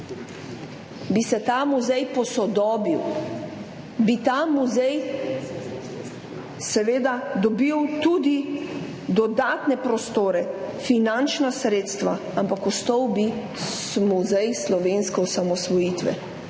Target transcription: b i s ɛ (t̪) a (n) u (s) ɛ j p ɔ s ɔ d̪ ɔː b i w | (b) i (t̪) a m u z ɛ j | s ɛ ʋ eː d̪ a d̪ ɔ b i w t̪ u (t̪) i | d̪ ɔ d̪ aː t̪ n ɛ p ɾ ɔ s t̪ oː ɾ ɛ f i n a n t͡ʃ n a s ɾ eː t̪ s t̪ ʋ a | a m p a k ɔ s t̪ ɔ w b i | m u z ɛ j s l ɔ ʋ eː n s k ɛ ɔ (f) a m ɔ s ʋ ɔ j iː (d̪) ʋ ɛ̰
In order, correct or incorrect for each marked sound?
correct, incorrect: m, incorrect: z, correct, correct, incorrect: d̪, incorrect: s, incorrect: t̪

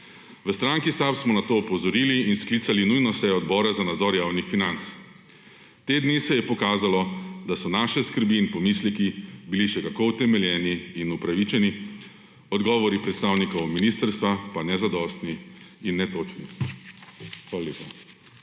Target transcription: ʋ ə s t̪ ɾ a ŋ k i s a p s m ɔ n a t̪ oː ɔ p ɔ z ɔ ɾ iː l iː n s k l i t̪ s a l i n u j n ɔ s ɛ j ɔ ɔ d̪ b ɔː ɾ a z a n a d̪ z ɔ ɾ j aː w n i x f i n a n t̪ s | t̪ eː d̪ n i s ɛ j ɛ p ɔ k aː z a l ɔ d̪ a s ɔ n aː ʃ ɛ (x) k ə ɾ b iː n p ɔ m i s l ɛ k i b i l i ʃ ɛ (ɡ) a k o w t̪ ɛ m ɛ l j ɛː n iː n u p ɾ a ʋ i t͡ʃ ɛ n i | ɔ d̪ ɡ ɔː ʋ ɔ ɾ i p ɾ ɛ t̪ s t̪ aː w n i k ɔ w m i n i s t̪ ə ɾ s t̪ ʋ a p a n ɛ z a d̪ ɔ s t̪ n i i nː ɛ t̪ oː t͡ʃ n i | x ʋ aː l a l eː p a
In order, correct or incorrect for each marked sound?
incorrect: s, incorrect: k

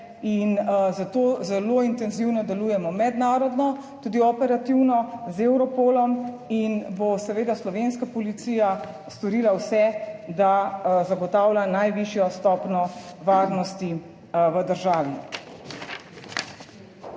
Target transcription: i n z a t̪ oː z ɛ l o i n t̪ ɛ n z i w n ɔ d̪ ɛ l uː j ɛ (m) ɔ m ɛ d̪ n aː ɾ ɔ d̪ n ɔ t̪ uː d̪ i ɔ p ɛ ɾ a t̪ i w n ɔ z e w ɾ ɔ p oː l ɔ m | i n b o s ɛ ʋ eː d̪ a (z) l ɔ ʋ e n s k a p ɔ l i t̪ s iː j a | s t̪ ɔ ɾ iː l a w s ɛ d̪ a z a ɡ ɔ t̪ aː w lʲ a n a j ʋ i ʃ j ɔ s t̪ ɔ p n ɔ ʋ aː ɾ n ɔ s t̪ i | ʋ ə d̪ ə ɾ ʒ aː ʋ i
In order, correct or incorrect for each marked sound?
correct, incorrect: s

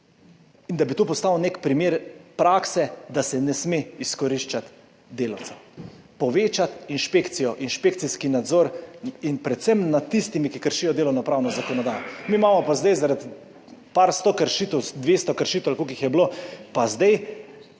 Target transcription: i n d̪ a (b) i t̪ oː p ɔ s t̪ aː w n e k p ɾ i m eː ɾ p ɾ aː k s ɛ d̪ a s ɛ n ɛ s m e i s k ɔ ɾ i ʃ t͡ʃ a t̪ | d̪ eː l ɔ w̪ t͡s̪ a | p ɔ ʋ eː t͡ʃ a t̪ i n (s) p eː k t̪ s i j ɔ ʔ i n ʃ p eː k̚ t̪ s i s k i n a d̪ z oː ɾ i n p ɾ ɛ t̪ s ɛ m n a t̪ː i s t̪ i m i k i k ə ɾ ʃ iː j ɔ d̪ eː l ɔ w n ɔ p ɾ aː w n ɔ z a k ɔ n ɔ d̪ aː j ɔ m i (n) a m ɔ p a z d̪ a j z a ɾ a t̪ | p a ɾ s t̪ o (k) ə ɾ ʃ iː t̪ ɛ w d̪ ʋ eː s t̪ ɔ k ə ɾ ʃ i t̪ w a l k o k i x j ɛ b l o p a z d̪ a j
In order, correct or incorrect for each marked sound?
correct, incorrect: ʃ, incorrect: m, correct

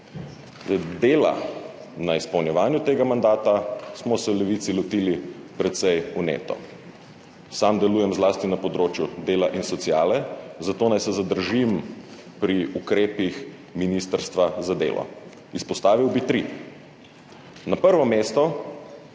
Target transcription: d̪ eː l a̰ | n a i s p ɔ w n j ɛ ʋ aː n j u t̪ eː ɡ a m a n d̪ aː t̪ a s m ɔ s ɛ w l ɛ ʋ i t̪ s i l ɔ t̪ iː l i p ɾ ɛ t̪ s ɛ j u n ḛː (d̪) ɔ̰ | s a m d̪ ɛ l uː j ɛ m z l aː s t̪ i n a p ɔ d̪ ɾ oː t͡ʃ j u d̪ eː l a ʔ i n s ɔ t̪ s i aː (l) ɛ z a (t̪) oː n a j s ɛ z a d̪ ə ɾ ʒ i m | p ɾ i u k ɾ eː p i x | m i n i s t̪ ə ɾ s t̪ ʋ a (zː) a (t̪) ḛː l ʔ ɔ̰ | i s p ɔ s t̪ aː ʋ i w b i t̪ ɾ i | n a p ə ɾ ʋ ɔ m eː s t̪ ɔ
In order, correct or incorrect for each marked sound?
incorrect: t̪, correct, correct, incorrect: z, incorrect: d̪

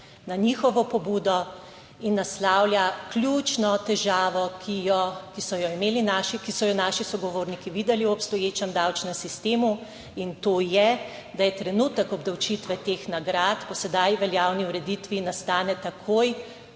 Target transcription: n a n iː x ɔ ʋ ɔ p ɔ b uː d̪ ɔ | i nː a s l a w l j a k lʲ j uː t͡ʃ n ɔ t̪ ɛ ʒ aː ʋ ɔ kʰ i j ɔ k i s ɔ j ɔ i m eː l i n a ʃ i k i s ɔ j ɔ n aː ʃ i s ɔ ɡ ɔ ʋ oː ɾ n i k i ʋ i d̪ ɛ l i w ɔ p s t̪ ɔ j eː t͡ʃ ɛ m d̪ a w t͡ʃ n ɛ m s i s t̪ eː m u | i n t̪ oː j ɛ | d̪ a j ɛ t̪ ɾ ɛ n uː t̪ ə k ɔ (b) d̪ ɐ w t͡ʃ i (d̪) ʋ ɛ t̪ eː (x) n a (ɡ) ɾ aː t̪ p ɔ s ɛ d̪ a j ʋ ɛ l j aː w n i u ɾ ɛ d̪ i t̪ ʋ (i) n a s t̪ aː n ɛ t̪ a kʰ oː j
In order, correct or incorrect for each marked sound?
correct, incorrect: t̪, correct, correct, correct

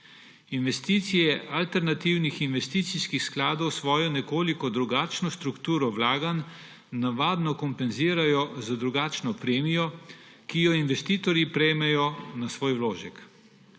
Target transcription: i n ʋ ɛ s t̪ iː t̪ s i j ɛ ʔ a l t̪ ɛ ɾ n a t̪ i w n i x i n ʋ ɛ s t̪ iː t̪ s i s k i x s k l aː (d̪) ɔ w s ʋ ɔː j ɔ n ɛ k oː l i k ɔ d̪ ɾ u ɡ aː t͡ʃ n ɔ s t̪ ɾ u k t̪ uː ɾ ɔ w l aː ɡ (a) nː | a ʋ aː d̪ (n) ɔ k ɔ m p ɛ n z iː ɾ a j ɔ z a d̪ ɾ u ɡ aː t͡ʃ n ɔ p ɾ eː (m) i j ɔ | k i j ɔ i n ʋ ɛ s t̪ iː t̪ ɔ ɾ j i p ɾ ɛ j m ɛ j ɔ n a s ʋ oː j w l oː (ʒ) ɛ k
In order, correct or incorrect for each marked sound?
correct, correct, correct, correct, correct

